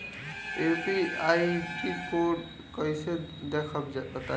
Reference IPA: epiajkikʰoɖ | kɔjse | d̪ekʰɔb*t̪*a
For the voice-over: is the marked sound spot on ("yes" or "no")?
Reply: yes